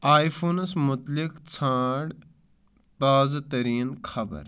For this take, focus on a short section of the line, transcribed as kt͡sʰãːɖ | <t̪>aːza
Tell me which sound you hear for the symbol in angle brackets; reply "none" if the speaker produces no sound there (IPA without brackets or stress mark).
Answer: t̪